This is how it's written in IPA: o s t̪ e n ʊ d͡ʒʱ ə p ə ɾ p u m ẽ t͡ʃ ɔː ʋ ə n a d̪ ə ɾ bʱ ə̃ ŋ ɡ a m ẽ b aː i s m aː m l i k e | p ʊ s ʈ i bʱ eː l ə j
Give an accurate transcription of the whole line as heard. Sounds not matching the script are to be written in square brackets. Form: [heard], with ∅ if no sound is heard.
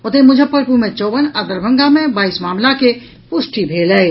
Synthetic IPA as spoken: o [∅] t̪ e [m] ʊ d͡ʒʱ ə p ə ɾ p u m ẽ t͡ʃ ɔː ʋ ə n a d̪ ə ɾ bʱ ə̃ ŋ ɡ a m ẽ b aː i s m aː m l [a] k e | p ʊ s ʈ i bʱ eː l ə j